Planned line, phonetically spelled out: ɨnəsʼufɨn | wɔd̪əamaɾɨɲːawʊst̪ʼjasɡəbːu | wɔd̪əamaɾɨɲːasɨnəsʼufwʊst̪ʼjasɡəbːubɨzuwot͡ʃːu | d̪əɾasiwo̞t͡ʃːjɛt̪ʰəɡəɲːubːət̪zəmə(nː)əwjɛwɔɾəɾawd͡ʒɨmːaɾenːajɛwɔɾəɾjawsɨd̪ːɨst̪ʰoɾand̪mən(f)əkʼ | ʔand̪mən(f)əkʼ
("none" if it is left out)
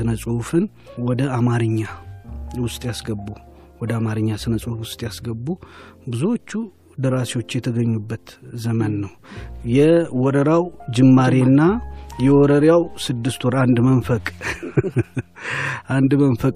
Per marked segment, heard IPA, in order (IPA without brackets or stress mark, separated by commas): nː, f, f